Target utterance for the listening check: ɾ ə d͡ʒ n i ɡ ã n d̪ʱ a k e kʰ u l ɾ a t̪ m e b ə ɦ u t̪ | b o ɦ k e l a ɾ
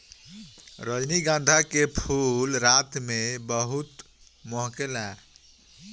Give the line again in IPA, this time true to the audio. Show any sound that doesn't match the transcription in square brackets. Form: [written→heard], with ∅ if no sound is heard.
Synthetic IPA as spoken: ɾ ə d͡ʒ n i ɡ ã n d̪ʱ a k e [kʰ→pʰ] u l ɾ a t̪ m e b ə ɦ u t̪ | [b→m] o ɦ k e l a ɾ